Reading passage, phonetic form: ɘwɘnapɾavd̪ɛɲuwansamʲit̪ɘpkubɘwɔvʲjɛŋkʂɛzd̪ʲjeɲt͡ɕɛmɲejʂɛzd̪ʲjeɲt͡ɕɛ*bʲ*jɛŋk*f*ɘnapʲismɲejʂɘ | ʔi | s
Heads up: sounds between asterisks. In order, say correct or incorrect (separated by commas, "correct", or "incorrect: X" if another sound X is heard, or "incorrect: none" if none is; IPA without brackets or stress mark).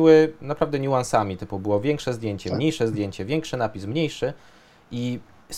incorrect: vʲ, incorrect: ʂ